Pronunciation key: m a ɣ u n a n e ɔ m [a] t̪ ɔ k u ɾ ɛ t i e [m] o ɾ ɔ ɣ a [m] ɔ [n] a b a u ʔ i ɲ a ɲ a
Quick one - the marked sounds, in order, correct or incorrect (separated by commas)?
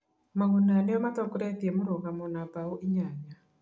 correct, correct, correct, correct